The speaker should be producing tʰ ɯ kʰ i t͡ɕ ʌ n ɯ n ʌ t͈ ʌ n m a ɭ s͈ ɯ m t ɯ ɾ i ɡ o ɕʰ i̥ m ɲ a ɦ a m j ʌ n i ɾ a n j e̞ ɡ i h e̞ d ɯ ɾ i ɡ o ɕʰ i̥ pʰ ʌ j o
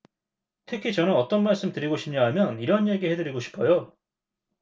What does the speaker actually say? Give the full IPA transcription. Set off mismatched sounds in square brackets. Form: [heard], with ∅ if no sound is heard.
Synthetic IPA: tʰ ɯ kʰ i t͡ɕ ʌ n ɯ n ʌ t͈ ʌ n m a ɭ s͈ ɯ m t ɯ ɾ i ɡ o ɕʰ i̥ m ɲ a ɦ a m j ʌ n i ɾ [ʌ] n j e̞ ɡ i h e̞ d ɯ ɾ i ɡ o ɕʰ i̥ pʰ ʌ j o